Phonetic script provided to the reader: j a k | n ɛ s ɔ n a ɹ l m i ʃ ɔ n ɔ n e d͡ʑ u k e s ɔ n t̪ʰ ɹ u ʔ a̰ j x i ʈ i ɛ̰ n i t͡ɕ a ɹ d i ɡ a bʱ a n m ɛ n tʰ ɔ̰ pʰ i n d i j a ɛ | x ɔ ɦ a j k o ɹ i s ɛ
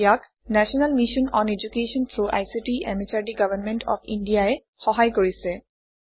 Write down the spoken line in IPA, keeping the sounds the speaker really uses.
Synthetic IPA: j a k | n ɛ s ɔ n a l m i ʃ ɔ n ɔ n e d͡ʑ u k e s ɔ n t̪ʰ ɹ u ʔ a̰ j s i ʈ i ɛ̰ m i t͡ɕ a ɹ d i ɡ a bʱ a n m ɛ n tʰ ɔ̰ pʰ i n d i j a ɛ | x ɔ ɦ a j k o ɹ i s ɛ